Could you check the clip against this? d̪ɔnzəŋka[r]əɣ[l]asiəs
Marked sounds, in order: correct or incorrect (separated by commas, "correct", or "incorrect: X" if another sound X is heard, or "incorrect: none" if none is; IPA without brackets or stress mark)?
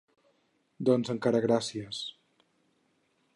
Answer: incorrect: ɾ, incorrect: ɾ